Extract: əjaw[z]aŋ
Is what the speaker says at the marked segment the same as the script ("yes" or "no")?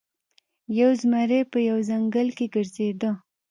yes